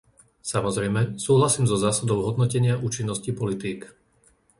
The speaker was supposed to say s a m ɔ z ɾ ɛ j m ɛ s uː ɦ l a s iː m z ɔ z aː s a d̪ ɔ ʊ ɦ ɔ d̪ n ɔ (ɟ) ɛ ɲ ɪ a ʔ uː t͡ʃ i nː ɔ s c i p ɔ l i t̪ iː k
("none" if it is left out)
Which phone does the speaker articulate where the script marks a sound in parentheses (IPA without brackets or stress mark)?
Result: c